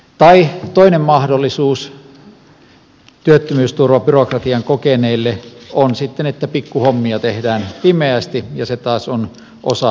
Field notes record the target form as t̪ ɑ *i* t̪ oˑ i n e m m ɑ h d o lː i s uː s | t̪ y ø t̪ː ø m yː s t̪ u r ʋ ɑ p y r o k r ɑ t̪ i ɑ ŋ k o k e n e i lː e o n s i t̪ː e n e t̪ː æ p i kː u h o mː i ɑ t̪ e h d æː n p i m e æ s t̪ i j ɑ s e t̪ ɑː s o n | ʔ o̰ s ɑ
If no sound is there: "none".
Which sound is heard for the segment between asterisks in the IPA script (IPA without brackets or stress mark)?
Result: i